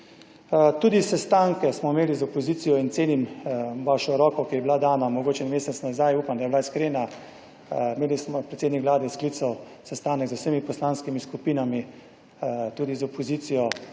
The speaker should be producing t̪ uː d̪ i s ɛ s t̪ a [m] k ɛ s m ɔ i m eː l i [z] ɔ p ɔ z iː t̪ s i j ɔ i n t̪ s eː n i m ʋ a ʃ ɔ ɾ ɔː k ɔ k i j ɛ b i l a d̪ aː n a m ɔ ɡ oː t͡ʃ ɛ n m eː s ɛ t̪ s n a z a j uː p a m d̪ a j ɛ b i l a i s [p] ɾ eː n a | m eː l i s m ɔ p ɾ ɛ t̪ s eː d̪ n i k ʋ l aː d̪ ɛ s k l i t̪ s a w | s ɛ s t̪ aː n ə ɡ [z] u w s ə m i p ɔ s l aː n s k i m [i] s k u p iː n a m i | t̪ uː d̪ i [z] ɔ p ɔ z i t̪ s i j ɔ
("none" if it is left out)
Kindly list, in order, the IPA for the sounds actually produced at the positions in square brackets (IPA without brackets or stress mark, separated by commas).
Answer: ŋ, z, k, z, i, z